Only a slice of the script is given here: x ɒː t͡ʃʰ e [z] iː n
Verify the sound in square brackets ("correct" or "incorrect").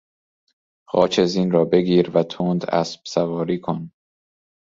correct